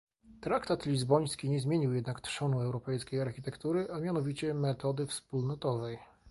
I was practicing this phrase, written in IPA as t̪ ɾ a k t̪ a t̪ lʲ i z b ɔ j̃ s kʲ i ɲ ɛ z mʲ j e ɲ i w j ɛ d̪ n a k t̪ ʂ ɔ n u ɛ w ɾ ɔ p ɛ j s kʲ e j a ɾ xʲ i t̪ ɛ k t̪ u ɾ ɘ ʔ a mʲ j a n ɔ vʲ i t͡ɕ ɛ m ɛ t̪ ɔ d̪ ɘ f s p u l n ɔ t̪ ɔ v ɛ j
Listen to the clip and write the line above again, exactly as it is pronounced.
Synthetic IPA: t̪ ɾ a k t̪ a t̪ lʲ i z b ɔ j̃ s kʲ i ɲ ɛ z mʲ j e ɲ i w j ɛ d̪ n a k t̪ ʂ ɔ n u ɛ w ɾ ɔ p ɛ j s kʲ e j a ɾ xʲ i t̪ ɛ k t̪ u ɾ ɘ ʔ a mʲ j a n ɔ vʲ i t͡ɕ ɛ m ɛ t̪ ɔ d̪ ɘ f s p u l n ɔ t̪ ɔ v ɛ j